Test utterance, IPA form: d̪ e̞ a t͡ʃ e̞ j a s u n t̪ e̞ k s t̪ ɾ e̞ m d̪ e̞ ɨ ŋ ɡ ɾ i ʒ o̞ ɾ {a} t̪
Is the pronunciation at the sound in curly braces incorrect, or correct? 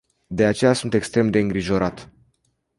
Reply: correct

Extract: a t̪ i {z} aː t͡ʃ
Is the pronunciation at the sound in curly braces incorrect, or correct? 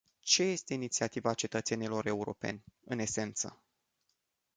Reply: incorrect: v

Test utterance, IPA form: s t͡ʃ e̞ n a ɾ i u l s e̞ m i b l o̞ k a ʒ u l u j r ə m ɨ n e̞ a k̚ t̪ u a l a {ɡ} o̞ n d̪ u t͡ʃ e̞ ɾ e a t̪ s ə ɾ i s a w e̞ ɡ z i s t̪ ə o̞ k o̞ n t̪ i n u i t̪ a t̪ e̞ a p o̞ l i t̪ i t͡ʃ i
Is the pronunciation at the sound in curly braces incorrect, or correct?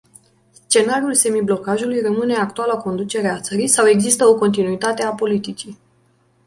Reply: incorrect: k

